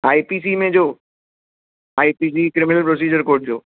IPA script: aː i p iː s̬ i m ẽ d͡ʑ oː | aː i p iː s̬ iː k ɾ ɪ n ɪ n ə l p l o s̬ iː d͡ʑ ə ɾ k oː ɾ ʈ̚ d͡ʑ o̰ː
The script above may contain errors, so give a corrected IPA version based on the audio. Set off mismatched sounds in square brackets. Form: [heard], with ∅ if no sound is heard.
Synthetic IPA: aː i p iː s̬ i m ẽ d͡ʑ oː | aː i p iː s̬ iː k ɾ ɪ [m] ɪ n ə l p [ɾ] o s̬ iː d͡ʑ ə ɾ k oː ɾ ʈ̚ d͡ʑ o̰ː